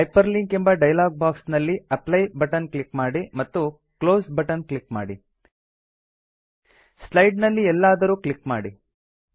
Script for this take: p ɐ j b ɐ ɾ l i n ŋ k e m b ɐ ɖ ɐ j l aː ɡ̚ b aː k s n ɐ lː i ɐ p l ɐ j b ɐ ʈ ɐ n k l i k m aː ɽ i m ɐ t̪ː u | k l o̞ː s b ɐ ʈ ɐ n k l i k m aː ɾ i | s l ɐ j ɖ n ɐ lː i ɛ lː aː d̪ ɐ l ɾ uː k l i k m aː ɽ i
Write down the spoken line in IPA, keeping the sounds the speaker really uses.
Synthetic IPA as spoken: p ɐ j p ɐ ɾ l i ŋ k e m b ɐ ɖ ɐ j l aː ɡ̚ b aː k s n ɐ lː i ɐ p l ɐ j b ɐ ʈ ɐ n k l i k m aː ɽ i m ɐ t̪ː u | k l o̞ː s b ɐ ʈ ɐ n k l i k m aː ɽ i | s l ɐ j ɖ n ɐ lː i ɛ lː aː d̪ ɐ ɾ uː k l i k m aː ɽ i